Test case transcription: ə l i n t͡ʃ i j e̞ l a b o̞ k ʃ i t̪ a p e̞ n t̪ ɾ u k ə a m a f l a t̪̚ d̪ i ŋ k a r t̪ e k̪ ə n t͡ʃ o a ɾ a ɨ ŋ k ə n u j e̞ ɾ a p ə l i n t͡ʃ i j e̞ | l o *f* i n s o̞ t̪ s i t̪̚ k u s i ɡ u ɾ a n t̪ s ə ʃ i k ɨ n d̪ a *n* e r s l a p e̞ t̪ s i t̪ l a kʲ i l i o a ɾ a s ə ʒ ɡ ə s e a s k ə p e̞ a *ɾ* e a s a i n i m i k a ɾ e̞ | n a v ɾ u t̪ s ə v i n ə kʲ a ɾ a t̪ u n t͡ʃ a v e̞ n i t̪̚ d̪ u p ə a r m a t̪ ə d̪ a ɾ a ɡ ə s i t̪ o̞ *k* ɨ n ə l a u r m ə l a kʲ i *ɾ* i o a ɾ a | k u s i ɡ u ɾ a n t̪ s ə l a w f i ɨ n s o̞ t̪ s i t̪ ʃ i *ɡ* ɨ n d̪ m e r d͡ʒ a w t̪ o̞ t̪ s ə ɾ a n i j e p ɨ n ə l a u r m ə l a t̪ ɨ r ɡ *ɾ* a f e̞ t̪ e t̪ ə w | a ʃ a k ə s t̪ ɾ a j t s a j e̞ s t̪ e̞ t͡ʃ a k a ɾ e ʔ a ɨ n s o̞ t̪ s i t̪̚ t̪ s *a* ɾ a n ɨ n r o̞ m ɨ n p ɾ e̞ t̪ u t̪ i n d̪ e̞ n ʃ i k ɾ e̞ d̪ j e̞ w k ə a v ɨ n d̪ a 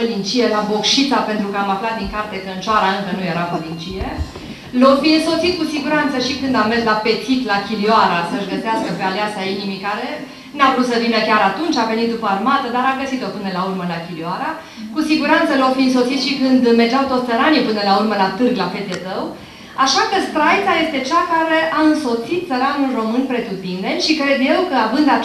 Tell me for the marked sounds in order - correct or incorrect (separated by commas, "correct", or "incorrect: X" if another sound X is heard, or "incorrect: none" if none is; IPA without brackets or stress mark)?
correct, incorrect: m, incorrect: l, incorrect: p, incorrect: l, incorrect: k, incorrect: l, incorrect: ə